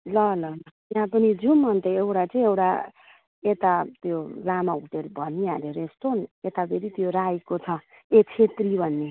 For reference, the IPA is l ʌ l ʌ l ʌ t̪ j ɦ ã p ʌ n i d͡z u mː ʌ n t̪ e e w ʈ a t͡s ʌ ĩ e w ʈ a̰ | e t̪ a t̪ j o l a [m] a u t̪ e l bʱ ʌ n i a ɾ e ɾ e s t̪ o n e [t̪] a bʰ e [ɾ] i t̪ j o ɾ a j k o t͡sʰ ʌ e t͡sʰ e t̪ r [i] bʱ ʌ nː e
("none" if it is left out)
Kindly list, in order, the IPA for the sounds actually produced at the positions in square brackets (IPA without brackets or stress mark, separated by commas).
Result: m, t̪, ɾ, i